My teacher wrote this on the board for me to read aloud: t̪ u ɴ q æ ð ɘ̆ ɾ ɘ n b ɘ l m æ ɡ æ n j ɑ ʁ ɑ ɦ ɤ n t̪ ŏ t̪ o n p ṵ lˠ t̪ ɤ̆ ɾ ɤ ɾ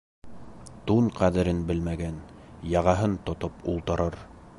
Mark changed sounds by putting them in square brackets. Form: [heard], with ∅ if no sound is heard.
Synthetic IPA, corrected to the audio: t̪ u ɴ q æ ð ɘ̆ ɾ ɘ n b ɘ l m æ ɡ æ n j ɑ ʁ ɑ ɦ ɤ n t̪ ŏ t̪ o [∅] p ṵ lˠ t̪ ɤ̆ ɾ ɤ ɾ